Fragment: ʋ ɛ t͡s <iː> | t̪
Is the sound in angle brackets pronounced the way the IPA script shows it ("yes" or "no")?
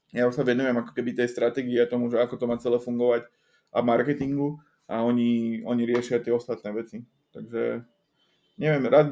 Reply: no